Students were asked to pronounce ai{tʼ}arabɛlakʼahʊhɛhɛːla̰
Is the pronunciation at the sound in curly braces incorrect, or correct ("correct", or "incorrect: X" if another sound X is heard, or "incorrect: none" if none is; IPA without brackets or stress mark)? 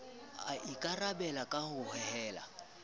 incorrect: kʼ